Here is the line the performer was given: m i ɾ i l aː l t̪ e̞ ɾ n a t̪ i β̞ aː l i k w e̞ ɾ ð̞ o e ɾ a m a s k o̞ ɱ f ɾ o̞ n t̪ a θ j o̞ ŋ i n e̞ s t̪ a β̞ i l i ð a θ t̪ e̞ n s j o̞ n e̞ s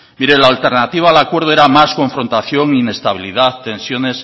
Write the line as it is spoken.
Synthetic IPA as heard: m i ɾ e l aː l t̪ e̞ ɾ n a t̪ i β̞ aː l a k w e̞ ɾ ð̞ o e ɾ a m a s k o̞ ɱ f ɾ o̞ n t̪ a θ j o̞ ŋ i n e̞ s t̪ a β̞ i l i ð a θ t̪ e̞ n s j o̞ n e̞ s